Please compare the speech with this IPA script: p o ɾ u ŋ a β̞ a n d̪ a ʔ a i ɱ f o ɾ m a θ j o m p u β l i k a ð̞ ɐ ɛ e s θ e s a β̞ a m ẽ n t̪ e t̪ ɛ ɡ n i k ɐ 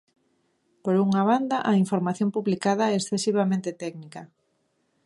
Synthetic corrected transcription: p o ɾ u ŋ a β̞ a n d̪ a ʔ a i ɱ f o ɾ m a θ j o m p u β l i k a ð̞ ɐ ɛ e s θ e s i β̞ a m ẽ n t̪ e t̪ ɛ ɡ n i k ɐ